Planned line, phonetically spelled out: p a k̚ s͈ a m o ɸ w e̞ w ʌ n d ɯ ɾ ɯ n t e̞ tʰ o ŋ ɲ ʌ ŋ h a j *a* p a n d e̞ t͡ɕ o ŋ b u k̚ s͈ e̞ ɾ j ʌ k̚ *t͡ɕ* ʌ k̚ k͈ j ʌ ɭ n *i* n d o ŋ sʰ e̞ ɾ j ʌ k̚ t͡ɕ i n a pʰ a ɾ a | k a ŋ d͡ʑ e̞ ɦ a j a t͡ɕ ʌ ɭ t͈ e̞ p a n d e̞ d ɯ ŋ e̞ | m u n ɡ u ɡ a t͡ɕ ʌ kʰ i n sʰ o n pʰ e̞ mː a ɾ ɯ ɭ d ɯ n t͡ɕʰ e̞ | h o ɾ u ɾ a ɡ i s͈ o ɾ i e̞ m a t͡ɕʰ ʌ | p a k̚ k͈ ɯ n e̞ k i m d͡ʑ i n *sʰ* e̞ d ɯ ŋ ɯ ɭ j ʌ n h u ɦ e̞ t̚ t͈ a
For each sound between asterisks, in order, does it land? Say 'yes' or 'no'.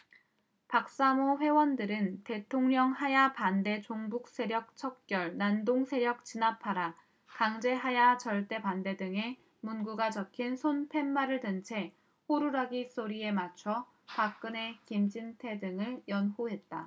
yes, no, no, no

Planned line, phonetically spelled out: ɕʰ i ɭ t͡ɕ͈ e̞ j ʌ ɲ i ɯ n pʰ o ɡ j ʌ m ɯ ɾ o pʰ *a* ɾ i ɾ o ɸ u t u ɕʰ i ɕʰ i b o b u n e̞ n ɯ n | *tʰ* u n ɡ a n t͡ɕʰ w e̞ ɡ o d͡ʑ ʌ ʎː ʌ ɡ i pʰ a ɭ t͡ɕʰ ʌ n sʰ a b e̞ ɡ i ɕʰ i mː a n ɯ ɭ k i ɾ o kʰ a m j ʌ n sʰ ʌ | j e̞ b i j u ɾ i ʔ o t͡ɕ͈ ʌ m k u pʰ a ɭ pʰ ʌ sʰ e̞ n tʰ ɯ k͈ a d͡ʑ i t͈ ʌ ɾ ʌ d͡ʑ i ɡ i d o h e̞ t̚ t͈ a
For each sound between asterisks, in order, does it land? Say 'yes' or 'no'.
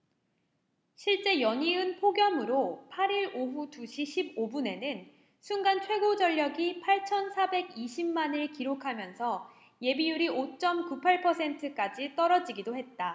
yes, no

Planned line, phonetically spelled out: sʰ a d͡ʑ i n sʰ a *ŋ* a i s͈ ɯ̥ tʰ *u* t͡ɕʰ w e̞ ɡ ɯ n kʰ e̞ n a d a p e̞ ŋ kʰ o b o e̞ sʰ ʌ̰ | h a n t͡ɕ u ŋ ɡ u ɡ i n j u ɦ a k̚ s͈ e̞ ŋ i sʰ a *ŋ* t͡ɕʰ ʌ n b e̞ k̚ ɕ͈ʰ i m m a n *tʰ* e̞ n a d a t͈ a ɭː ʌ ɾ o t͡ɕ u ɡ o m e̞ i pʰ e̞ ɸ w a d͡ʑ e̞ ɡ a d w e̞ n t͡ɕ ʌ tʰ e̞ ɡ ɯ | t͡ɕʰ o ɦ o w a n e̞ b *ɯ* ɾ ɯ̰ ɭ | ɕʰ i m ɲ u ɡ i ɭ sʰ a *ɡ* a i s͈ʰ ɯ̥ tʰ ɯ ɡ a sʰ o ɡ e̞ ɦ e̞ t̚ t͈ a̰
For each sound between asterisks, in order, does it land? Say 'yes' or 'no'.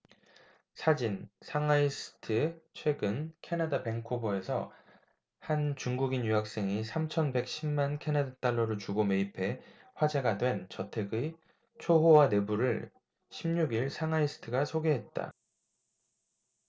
yes, no, no, no, no, no

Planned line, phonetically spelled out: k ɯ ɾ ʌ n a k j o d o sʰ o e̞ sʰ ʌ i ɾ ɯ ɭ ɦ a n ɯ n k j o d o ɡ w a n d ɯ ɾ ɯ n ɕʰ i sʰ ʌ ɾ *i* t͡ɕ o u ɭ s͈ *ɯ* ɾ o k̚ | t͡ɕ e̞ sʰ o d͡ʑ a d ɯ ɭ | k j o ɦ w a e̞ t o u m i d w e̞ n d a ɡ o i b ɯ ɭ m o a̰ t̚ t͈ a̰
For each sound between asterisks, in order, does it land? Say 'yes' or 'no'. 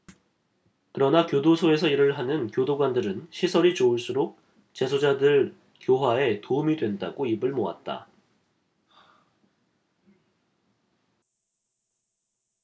yes, no

